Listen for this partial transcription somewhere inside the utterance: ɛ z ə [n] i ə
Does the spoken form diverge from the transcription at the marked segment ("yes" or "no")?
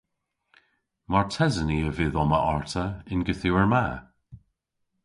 no